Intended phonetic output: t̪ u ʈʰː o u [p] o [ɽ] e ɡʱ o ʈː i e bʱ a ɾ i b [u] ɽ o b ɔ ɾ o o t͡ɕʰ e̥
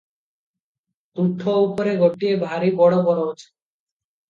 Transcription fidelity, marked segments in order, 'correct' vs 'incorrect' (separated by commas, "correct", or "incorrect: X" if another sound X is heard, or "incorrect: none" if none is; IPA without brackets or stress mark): correct, incorrect: ɾ, incorrect: ɔ